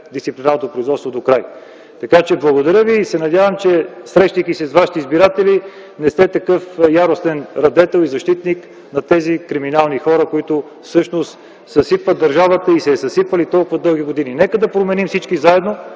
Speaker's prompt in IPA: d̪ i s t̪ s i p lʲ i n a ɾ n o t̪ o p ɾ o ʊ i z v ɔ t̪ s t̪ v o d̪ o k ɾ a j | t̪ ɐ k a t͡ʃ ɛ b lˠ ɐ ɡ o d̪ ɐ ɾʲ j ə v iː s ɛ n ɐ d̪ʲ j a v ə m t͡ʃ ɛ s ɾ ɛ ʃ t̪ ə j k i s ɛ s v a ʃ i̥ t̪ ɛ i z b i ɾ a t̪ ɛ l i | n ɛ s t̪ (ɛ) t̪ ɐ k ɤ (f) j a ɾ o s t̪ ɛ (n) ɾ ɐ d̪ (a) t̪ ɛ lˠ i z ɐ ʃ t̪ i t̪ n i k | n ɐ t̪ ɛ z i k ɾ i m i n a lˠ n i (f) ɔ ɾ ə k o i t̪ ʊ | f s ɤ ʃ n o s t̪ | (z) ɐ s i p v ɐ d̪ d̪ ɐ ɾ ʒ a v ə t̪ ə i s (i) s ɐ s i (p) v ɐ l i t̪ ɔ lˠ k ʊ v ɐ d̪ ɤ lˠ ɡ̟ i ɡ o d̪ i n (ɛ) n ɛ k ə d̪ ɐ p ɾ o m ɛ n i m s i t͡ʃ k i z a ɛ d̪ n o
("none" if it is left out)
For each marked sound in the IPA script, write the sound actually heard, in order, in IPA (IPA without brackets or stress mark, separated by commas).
ɛ, f, n, ɛ, x, s, ɛ, p, i